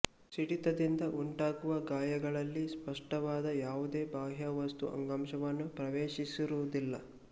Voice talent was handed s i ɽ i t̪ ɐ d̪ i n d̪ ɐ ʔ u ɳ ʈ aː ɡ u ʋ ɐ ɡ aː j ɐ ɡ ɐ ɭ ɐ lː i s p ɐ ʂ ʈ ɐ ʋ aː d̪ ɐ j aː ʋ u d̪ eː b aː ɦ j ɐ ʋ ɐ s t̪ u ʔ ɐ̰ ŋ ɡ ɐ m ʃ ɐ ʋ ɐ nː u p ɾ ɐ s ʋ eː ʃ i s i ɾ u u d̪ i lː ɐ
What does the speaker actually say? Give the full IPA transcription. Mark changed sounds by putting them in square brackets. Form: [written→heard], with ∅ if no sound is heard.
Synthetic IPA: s i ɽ i t̪ ɐ d̪ i n d̪ ɐ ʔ u ɳ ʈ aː ɡ u ʋ ɐ ɡ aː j ɐ ɡ ɐ ɭ ɐ lː i s p ɐ ʂ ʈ ɐ ʋ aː d̪ ɐ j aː ʋ u d̪ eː b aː ɦ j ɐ ʋ ɐ s t̪ u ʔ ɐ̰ ŋ ɡ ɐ m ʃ ɐ ʋ ɐ nː u p ɾ ɐ [s→∅] ʋ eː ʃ i s i ɾ u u d̪ i lː ɐ